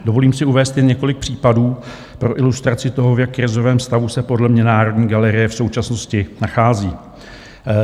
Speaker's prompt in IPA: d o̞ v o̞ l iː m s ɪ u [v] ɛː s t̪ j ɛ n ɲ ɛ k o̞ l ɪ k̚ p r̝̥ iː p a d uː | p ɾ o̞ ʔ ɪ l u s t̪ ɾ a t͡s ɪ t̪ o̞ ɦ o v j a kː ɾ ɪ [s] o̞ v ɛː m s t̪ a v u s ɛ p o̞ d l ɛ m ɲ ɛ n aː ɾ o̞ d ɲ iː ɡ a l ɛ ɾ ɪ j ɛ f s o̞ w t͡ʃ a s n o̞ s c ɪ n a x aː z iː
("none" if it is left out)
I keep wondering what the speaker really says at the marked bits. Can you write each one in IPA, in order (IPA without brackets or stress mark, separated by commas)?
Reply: v, z